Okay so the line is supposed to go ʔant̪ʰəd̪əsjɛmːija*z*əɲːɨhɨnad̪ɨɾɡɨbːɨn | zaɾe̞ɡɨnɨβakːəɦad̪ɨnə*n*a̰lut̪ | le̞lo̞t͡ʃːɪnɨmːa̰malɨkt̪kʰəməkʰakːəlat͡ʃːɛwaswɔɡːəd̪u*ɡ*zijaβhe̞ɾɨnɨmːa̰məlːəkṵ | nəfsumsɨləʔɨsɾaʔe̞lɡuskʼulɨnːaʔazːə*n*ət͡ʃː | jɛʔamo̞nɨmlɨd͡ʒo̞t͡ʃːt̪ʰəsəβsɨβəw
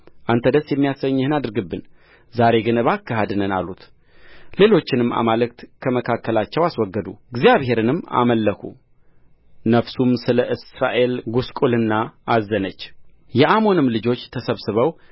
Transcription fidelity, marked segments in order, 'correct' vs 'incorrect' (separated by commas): incorrect, correct, correct, correct